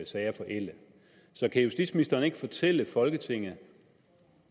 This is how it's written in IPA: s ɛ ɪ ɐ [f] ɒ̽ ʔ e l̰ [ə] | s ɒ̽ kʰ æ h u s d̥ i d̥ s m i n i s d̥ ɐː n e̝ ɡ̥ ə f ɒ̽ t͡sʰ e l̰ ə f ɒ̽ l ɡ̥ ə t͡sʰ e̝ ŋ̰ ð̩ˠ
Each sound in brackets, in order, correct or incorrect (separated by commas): correct, correct